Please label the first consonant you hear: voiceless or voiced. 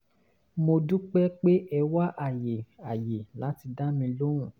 voiced